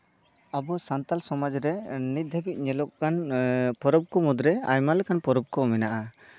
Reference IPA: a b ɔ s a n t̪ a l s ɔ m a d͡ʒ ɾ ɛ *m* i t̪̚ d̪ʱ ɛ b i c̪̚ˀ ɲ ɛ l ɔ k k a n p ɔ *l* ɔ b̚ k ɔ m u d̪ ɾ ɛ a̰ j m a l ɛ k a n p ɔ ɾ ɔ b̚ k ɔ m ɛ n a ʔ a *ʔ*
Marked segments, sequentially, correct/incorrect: incorrect, incorrect, incorrect

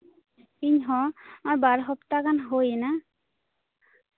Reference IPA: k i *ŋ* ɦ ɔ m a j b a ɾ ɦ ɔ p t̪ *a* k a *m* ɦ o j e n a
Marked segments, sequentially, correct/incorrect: incorrect, correct, incorrect

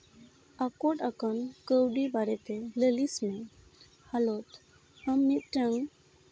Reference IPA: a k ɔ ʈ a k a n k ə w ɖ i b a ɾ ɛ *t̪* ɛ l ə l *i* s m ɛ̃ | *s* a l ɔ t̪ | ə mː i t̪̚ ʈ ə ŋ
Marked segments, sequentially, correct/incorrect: correct, correct, incorrect

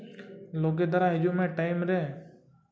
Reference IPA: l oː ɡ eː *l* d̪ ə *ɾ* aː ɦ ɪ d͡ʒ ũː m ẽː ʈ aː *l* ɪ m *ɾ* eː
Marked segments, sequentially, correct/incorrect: incorrect, correct, incorrect, correct

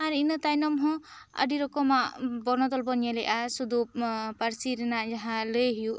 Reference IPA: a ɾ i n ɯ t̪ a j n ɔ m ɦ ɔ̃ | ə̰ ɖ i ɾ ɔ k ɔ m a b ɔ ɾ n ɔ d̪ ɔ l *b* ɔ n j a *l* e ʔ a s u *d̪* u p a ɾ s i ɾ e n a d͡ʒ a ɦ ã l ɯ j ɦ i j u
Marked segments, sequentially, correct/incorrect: correct, correct, correct

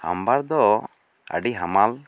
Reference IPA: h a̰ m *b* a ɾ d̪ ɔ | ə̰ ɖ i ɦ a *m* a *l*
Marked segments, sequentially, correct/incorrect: correct, correct, correct

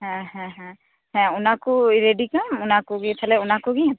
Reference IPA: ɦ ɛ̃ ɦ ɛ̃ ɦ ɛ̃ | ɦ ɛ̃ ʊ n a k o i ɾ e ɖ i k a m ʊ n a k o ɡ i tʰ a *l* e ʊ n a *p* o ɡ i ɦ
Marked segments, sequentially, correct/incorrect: correct, incorrect

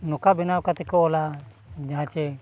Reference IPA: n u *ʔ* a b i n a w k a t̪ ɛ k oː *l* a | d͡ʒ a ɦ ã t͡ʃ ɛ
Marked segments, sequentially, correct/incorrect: incorrect, correct

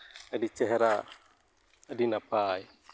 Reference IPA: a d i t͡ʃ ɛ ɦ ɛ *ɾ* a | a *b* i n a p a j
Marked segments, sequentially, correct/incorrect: correct, incorrect

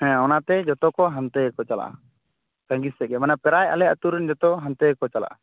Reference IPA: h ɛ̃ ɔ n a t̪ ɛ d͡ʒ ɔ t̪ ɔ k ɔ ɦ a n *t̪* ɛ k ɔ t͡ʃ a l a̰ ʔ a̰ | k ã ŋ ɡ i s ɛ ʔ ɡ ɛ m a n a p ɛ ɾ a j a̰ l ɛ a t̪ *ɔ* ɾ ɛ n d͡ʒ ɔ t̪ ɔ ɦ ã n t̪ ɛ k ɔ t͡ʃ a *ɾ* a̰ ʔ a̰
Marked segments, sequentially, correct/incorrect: correct, incorrect, incorrect

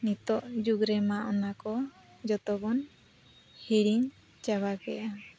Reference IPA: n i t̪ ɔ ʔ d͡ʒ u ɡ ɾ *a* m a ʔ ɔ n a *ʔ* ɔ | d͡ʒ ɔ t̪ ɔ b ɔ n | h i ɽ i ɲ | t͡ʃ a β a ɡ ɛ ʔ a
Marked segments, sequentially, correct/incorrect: incorrect, incorrect

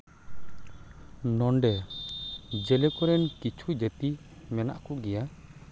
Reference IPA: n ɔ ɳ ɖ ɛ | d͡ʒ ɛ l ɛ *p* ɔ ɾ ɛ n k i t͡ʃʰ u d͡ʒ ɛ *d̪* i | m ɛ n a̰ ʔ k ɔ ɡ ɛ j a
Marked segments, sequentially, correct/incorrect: incorrect, incorrect

